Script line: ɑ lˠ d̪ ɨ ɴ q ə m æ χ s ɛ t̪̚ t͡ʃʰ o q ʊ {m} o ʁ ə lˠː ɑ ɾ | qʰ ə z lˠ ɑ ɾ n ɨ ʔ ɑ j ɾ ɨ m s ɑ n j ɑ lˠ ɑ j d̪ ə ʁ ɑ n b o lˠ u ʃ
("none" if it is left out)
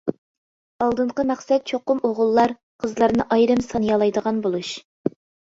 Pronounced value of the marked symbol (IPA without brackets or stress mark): m